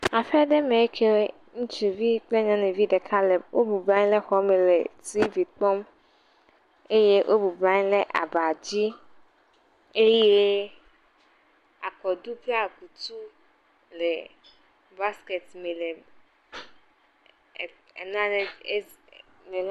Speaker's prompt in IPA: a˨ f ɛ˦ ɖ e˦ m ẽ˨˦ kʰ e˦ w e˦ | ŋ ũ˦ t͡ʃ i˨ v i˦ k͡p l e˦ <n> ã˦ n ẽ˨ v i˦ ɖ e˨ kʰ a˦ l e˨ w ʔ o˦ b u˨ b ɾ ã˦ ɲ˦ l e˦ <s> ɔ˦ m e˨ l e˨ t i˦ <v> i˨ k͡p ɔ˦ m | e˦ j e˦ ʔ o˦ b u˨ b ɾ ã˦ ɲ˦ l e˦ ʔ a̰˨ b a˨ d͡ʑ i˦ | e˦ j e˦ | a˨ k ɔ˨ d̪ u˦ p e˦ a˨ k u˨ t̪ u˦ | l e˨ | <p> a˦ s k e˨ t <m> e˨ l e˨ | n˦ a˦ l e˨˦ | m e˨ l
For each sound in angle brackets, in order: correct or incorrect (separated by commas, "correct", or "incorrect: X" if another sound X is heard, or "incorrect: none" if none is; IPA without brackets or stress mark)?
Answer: incorrect: ɲ, incorrect: x, correct, incorrect: b, correct